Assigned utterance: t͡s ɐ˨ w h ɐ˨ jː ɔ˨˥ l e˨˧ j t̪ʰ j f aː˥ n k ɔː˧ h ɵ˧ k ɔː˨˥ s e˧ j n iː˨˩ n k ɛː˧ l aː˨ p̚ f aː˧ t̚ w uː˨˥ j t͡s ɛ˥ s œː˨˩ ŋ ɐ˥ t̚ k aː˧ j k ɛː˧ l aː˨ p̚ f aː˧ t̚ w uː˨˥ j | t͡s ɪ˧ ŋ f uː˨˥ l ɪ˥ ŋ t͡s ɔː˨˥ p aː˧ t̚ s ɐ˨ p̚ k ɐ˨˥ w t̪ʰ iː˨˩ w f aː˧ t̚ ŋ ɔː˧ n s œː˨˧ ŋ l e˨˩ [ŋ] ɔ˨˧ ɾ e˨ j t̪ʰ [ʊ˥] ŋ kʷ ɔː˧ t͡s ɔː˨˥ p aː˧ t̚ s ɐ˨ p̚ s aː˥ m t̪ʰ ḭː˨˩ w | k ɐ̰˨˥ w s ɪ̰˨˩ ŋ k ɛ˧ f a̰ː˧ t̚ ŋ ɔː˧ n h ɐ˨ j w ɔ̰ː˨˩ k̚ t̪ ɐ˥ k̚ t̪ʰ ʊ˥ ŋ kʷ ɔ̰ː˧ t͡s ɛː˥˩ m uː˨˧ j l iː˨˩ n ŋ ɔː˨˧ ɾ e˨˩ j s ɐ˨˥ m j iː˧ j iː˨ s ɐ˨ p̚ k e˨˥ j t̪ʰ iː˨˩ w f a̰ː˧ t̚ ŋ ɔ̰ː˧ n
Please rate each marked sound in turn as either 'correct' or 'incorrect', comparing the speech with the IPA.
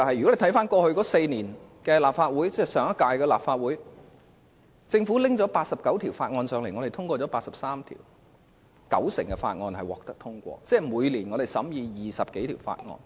correct, correct

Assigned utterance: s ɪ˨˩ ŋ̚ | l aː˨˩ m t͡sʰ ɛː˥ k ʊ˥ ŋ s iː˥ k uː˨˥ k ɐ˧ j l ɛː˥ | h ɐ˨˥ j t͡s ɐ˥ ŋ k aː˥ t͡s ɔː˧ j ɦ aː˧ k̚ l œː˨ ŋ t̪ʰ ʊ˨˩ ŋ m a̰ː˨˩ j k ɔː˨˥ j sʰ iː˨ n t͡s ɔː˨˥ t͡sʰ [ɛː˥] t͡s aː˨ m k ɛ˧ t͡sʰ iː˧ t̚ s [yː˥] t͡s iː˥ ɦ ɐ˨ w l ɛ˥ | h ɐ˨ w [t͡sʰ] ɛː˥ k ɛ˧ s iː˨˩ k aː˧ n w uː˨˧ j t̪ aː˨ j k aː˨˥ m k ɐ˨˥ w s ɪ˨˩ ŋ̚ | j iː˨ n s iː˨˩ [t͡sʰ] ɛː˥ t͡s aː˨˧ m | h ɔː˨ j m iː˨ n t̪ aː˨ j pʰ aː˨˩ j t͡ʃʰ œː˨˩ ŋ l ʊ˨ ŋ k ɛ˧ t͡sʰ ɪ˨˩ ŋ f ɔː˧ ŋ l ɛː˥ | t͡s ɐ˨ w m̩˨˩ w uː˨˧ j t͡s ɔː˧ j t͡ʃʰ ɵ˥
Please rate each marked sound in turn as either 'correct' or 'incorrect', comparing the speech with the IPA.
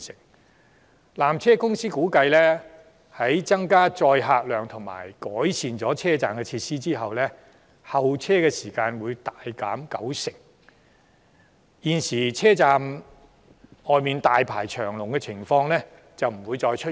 correct, incorrect: iː˥, correct, correct

